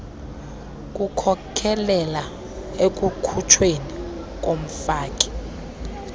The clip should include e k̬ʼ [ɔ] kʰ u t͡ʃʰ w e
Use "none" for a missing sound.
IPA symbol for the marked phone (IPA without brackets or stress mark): u